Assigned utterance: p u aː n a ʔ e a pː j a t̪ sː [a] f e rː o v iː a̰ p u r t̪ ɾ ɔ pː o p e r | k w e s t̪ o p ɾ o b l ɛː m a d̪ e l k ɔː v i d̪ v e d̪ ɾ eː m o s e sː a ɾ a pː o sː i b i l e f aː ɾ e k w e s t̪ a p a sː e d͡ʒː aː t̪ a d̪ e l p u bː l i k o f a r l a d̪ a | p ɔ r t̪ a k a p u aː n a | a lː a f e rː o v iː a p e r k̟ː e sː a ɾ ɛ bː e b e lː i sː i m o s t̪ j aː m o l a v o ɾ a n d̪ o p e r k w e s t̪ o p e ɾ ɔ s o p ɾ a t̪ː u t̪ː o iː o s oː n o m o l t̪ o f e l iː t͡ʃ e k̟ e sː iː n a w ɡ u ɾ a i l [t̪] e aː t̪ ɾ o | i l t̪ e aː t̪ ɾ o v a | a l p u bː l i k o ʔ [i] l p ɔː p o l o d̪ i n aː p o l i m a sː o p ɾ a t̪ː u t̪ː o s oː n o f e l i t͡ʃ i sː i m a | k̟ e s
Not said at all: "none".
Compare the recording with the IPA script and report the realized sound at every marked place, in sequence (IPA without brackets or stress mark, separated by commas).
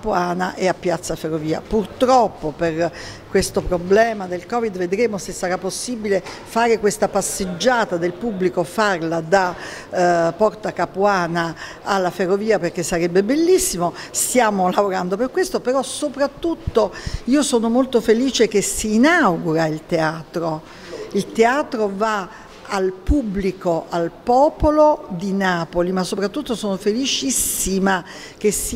a, t̪, a